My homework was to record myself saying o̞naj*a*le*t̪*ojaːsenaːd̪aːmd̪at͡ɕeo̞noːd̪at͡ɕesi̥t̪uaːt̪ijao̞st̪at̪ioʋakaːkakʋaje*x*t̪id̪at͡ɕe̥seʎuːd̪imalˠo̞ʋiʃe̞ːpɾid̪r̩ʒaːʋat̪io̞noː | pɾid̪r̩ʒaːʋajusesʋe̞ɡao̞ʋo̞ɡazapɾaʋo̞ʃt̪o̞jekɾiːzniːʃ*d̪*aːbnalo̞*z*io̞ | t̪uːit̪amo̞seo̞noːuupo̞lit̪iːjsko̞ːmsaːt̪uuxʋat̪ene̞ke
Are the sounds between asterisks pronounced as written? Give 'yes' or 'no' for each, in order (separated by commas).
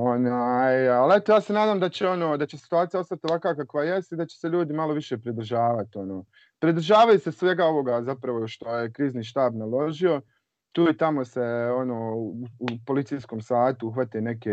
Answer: yes, yes, no, no, no